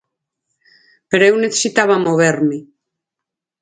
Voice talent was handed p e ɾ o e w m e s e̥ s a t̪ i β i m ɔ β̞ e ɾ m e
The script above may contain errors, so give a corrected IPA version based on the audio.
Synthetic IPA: p e ɾ o e w n e θ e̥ s i t̪ a β a m o β̞ e ɾ m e